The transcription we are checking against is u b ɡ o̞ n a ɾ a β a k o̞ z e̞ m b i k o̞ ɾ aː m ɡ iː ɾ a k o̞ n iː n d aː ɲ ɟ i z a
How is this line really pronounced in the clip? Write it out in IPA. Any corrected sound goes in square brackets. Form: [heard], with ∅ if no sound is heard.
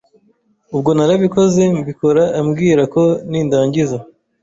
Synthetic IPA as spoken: u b ɡ o̞ n a ɾ a β [i] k o̞ z e̞ m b i k o̞ ɾ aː m ɡ iː ɾ a k o̞ n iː n d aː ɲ ɟ i z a

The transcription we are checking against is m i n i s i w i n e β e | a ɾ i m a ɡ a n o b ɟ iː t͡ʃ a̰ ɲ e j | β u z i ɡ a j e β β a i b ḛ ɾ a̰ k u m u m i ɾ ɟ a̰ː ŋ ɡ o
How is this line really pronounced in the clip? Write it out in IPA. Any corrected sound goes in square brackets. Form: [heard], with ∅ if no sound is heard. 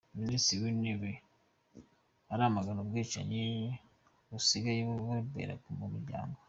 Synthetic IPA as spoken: m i n i s i w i n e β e | a ɾ [a] m a ɡ a n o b [ɡ] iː t͡ʃ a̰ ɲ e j | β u [s] i ɡ a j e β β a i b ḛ ɾ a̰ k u m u m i ɾ ɟ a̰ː ŋ ɡ o

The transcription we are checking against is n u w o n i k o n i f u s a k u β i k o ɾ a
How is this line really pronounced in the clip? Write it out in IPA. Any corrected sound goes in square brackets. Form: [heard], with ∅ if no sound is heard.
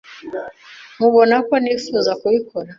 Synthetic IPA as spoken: [m] u [β] o n [a] k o n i f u [z] a k u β i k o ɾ a

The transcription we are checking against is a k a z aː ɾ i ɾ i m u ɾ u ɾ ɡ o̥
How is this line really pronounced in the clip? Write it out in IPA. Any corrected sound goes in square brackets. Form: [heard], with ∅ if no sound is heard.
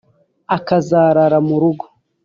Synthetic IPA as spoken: a k a z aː ɾ [a] ɾ [a] m u ɾ u [∅] ɡ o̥

